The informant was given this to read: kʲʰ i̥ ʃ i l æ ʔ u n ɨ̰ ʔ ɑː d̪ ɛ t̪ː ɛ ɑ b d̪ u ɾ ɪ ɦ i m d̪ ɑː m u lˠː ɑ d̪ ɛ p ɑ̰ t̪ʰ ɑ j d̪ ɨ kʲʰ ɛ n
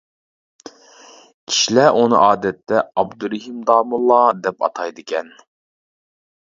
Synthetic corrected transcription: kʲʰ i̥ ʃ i l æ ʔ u n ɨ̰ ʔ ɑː d̪ ɛ t̪ː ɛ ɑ b d̪ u ɾ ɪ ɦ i m d̪ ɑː m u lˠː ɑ d̪ ɛ p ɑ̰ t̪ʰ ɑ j d̪ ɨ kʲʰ ɛ n

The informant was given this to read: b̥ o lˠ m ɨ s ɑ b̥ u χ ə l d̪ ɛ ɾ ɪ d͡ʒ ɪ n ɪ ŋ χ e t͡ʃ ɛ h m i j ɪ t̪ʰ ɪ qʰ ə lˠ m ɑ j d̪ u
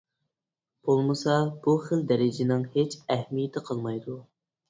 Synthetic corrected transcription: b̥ o lˠ m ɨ s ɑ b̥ u χ ə l d̪ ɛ ɾ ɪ d͡ʒ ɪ n ɪ ŋ h e t͡ʃ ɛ h m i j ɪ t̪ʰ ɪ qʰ ə lˠ m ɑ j d̪ u

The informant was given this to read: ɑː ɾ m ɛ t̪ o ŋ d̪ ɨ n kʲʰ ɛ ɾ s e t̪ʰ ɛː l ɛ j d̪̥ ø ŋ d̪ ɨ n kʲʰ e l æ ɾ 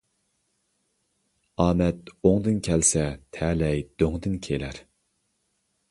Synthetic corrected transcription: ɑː m ɛ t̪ o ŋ d̪ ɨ n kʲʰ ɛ l s ɛ t̪ʰ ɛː l ɛ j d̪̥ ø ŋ d̪ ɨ n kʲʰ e l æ ɾ

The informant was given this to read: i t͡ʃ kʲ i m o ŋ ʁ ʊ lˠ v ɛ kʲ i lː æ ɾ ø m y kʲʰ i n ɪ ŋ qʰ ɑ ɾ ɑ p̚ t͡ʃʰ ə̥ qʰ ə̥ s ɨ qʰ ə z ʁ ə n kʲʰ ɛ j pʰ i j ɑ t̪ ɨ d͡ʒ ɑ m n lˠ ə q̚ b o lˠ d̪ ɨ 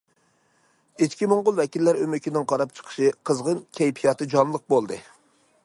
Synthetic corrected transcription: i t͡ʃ kʲ i m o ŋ ʁ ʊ lˠ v ɛ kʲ i lː æ ɾ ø m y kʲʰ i n ɪ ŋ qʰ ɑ ɾ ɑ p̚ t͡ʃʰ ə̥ qʰ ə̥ ʃ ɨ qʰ ə z ʁ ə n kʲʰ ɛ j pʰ i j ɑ t̪ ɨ d͡ʒ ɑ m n lˠ ə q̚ b o lˠ d̪ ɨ

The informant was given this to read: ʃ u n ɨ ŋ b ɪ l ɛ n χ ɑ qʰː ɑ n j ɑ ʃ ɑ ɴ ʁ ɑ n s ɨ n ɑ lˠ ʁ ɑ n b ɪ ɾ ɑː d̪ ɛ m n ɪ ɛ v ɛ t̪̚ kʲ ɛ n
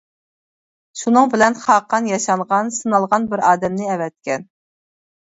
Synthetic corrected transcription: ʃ u n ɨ ŋ b ɪ l ɛ n χ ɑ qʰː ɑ n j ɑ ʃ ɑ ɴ ʁ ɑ n s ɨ n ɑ lˠ ʁ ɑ n b ɪ ɾ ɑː d̪ ɛ m n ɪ ɛ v ɛ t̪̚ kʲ ɛ n

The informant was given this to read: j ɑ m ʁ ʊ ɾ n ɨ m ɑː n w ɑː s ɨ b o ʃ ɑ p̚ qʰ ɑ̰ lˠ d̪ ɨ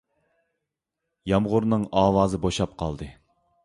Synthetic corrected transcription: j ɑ m ʁ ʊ ɾ n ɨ ŋ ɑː w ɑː z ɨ b o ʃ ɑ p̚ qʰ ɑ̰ lˠ d̪ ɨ

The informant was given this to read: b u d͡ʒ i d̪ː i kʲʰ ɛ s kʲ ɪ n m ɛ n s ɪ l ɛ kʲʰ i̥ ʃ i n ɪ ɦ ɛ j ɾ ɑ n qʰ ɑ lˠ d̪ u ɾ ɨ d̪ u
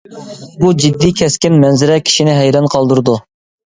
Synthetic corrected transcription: b u d͡ʒ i d̪ː i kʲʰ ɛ s kʲ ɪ n m ɛ n z ɪ ɾ ɛ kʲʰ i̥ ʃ i n ɪ ɦ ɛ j ɾ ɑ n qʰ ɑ lˠ d̪ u ɾ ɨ d̪ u

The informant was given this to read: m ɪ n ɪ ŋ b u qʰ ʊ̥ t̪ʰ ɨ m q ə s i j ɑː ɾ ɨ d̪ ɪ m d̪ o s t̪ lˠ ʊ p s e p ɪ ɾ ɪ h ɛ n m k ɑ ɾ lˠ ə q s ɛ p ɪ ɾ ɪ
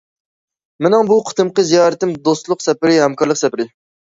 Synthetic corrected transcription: m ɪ n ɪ ŋ b u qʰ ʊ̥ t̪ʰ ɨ m q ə z i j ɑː ɾ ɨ t̪ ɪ m d̪ o s t̪ lˠ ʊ q s ɛ p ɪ ɾ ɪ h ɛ m k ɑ ɾ lˠ ə q s ɛ p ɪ ɾ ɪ

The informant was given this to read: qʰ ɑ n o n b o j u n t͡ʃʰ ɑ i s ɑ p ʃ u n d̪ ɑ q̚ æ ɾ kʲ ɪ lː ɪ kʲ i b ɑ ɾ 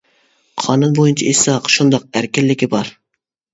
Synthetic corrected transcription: qʰ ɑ n u n b o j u n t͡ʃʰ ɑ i s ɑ q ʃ u n d̪ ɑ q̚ æ ɾ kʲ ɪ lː ɪ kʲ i b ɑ ɾ

